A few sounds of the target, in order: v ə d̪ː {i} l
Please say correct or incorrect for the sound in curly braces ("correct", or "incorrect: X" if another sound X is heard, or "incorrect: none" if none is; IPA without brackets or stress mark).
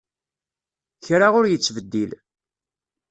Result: correct